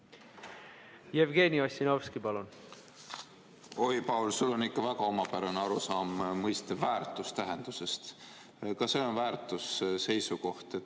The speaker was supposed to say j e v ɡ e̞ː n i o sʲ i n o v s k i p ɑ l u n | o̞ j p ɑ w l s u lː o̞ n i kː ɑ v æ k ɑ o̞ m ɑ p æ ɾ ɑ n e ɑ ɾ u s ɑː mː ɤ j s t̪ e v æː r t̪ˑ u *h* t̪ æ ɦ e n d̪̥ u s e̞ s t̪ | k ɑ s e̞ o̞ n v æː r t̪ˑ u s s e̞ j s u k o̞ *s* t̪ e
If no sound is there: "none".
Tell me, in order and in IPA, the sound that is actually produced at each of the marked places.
s, h

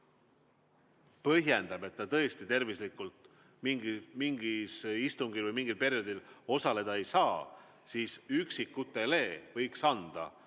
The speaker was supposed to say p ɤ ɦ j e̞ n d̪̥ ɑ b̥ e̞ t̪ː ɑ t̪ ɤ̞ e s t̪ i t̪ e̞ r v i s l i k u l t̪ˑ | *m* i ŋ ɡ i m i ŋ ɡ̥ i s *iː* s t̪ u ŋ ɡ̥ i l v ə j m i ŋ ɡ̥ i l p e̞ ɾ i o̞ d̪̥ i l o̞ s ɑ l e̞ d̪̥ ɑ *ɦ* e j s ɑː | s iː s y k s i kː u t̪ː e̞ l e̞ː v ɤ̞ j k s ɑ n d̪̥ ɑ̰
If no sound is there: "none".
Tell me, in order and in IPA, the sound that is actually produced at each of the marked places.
m, i, none

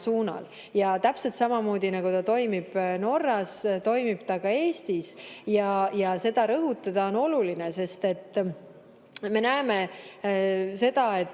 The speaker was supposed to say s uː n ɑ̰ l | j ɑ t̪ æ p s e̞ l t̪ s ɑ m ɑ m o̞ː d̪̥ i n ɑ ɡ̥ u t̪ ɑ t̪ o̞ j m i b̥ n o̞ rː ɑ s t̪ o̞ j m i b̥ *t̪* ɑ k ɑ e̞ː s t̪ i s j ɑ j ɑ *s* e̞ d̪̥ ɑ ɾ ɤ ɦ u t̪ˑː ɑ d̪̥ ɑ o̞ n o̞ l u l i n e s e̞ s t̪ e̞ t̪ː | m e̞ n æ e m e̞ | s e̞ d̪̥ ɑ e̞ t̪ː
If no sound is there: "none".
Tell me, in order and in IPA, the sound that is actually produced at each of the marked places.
t̪, s

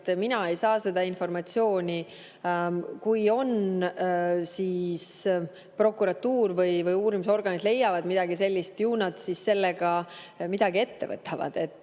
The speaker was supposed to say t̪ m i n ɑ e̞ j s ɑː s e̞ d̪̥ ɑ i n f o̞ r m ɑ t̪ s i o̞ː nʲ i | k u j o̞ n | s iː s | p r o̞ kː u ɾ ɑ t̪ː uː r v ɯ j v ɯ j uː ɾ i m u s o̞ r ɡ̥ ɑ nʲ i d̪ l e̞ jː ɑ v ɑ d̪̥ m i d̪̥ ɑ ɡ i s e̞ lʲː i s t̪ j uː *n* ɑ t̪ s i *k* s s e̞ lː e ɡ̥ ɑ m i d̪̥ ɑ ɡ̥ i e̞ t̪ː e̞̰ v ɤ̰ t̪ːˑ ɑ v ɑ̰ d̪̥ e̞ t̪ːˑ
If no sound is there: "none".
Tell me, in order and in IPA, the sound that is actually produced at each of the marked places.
n, none

